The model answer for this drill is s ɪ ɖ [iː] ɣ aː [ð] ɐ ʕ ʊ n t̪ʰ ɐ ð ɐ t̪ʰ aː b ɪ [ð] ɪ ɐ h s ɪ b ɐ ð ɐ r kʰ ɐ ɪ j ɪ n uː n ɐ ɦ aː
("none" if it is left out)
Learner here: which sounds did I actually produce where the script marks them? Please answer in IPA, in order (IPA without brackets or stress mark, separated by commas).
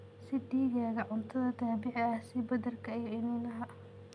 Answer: iː, ɣ, ʕ